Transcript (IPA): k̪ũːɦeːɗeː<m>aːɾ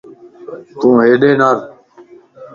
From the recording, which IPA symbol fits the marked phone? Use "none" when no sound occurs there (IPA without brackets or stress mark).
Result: n